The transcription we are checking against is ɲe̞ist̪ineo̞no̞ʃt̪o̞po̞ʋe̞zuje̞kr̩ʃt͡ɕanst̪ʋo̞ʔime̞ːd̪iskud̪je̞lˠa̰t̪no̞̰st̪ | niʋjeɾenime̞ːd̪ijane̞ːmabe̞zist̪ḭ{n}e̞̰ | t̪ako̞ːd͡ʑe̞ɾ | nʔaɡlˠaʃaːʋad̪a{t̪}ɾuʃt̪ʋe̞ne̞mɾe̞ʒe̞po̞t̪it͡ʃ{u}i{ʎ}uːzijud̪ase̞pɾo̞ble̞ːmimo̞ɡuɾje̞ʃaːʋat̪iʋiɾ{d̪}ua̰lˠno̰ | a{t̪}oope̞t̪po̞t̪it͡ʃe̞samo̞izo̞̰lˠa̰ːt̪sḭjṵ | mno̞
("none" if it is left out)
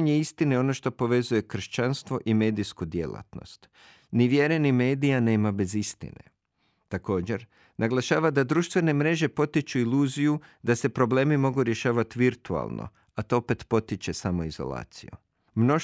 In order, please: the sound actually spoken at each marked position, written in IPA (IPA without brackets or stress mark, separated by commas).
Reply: n, d̪, u, l, t̪, t̪